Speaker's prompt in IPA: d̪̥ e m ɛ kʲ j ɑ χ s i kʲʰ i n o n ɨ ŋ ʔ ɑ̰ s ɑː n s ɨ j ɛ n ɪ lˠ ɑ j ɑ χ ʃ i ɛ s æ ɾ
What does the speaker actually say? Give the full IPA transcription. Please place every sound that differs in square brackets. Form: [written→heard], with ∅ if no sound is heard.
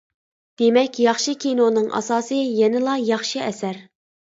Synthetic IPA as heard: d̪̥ e m ɛ kʲ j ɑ χ [s→ʃ] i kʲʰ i n o n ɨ ŋ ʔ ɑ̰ s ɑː [n→∅] s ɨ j ɛ n ɪ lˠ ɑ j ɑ χ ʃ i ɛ s æ ɾ

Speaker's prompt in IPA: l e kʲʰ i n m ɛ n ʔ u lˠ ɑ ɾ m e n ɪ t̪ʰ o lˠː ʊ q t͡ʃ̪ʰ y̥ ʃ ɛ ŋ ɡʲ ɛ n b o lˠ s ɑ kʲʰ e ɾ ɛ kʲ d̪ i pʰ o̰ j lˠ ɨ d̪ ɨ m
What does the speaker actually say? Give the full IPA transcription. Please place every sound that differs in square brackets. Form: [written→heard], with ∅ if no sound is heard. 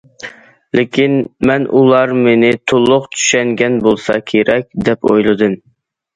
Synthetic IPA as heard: l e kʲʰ i n m ɛ n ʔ u lˠ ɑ ɾ m e n ɪ t̪ʰ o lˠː ʊ q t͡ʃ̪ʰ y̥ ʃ ɛ ŋ ɡʲ ɛ n b o lˠ s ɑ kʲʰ e ɾ ɛ kʲ d̪ [i→ɛ] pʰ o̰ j lˠ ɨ d̪ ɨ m

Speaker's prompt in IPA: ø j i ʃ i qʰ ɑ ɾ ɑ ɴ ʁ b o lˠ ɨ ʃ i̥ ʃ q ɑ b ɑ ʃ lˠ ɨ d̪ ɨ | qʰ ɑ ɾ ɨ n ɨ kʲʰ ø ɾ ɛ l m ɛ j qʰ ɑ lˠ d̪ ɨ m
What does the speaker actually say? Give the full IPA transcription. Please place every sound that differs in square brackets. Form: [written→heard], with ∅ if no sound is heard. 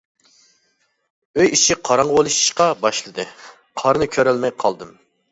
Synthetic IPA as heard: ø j i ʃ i qʰ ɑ ɾ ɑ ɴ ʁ b o lˠ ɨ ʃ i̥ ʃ q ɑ b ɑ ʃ lˠ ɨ d̪ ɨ | qʰ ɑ ɾ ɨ n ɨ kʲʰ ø ɾ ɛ l m ɛ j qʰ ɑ lˠ d̪ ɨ m

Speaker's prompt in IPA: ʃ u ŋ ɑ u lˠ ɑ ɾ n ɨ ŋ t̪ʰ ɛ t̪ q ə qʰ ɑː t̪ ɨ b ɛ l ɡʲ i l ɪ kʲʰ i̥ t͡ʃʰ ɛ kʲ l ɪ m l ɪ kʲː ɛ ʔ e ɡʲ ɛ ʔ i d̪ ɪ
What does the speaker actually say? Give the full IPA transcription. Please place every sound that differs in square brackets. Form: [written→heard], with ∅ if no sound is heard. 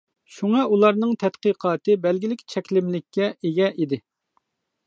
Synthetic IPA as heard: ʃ u ŋ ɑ u lˠ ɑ ɾ n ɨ ŋ t̪ʰ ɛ t̪ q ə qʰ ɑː t̪ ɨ b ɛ l ɡʲ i l ɪ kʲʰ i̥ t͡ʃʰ ɛ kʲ l ɪ m l ɪ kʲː ɛ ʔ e ɡʲ ɛ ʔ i d̪ ɪ

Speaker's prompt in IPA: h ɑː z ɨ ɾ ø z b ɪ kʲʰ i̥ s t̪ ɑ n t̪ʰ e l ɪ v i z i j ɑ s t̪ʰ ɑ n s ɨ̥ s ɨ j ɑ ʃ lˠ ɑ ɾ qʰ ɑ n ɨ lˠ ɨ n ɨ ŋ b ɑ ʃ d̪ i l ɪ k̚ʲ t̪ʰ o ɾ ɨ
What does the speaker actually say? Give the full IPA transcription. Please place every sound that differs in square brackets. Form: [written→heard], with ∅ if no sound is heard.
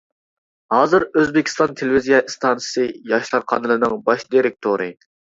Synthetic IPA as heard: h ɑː z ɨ ɾ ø z b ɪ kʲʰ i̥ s t̪ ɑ n t̪ʰ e l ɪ v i z i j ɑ s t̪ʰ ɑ n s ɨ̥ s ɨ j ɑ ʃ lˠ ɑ ɾ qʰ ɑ n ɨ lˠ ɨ n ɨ ŋ b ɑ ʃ d̪ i [l→ɾ] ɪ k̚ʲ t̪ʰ o ɾ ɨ

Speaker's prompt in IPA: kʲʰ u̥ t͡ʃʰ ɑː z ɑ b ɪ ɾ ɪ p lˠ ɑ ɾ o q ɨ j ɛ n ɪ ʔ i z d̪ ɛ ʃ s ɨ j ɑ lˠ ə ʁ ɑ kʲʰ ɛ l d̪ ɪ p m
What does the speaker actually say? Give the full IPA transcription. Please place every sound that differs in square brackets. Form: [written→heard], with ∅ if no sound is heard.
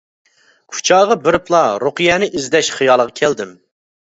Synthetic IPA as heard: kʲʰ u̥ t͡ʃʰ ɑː [z→ʁ] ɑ b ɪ ɾ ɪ p lˠ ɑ ɾ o q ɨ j ɛ n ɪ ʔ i z d̪ ɛ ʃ [s→χ] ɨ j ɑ lˠ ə ʁ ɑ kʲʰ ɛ l d̪ ɪ [p→∅] m

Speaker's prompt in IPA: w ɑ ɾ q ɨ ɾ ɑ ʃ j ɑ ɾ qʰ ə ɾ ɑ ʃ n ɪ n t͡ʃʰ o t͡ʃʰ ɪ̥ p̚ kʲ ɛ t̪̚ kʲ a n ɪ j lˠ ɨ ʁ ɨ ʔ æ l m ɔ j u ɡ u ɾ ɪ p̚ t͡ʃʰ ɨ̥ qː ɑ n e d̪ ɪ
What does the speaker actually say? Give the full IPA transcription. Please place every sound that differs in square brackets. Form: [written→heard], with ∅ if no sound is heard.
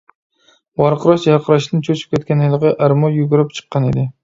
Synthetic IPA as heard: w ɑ ɾ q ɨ ɾ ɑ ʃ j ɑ ɾ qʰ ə ɾ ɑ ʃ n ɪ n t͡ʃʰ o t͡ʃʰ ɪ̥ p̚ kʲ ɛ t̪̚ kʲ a n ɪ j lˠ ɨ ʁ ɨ ʔ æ [l→ɾ] m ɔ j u ɡ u ɾ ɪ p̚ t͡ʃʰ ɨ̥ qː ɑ n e d̪ ɪ

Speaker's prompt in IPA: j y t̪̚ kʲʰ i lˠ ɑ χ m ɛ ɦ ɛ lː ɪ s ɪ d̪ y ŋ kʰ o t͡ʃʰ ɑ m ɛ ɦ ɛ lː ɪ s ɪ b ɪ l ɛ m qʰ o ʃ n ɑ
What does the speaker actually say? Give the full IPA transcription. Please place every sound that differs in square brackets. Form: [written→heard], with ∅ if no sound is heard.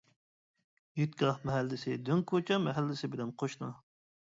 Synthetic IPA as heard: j y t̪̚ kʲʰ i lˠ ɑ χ m ɛ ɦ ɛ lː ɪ s ɪ d̪ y ŋ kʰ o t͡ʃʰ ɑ m ɛ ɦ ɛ lː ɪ s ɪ b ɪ l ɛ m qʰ o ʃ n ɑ

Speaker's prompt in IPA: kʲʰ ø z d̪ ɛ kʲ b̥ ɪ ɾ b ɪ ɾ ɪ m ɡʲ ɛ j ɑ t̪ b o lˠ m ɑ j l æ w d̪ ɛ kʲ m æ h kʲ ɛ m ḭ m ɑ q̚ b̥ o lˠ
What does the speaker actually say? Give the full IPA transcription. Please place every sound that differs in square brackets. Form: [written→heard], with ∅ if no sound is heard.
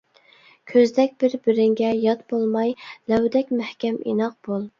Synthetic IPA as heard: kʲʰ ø z d̪ ɛ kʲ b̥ ɪ ɾ b ɪ ɾ ɪ [m→ŋ] ɡʲ ɛ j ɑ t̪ b o lˠ m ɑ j l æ w d̪ ɛ kʲ m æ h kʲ ɛ m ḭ [m→n] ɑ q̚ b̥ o lˠ

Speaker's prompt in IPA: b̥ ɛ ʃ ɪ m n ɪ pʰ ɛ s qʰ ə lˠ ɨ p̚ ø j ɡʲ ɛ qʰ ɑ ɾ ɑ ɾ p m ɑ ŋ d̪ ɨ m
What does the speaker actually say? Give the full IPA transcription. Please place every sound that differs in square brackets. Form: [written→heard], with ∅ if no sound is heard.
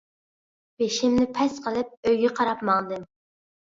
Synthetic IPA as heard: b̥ [ɛ→e] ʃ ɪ m n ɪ pʰ ɛ s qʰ ə lˠ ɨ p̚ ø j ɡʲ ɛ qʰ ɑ ɾ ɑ [ɾ→∅] p m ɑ ŋ d̪ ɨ m

